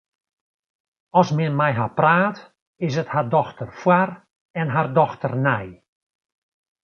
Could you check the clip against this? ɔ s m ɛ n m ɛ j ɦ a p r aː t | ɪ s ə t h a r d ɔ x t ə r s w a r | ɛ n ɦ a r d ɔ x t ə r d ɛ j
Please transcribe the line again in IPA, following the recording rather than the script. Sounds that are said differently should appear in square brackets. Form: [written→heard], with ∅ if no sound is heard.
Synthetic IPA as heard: ɔ s m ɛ n m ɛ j ɦ a p r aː t | ɪ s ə t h a r d ɔ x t ə r [s→f] w a r | ɛ n ɦ a r d ɔ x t ə r [d→n] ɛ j